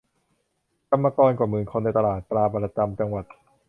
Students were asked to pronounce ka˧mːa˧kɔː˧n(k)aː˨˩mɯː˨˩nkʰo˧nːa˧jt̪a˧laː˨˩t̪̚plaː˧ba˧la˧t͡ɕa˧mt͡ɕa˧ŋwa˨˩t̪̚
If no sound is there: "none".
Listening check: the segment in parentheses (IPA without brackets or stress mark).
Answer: k